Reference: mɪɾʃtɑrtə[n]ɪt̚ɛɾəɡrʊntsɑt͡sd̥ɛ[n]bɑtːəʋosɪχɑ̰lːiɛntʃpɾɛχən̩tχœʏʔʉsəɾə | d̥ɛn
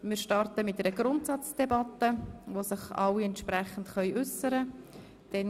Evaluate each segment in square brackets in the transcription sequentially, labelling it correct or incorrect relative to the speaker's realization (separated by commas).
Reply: incorrect, incorrect